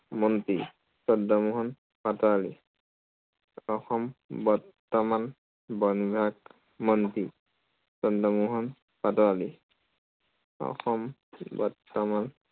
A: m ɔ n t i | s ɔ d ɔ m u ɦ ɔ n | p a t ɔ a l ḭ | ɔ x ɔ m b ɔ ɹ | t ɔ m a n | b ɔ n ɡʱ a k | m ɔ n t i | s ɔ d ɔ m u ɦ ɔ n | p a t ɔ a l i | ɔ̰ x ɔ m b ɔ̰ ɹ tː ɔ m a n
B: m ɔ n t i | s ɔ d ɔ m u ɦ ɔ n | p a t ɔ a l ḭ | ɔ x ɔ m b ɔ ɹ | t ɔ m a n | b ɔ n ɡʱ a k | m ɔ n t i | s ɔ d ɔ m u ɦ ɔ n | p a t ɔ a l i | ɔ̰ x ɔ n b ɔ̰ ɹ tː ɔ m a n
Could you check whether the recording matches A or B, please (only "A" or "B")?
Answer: A